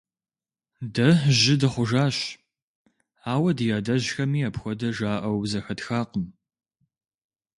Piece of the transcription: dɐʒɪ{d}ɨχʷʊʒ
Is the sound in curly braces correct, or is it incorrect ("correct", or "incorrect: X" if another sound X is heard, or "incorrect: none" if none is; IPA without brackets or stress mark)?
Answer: correct